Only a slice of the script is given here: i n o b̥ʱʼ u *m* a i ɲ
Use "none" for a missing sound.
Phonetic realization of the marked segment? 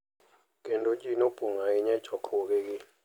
ŋ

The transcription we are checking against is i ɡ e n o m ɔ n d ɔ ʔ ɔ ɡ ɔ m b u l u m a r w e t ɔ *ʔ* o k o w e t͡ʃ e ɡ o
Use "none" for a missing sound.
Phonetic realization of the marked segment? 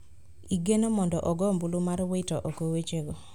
ʔ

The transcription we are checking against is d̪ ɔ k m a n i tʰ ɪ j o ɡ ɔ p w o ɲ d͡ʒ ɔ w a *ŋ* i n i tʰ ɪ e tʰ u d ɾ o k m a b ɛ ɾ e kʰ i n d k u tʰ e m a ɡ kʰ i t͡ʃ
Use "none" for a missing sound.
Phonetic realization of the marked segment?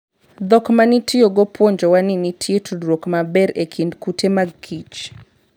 n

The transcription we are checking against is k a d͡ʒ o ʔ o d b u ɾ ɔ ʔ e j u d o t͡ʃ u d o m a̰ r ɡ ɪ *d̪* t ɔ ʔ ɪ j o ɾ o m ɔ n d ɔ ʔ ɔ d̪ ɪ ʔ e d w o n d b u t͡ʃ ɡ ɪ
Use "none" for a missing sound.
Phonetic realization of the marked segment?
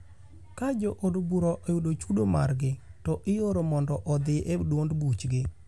none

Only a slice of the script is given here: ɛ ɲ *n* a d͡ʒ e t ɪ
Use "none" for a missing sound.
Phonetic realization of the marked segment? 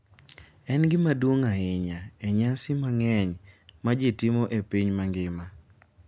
m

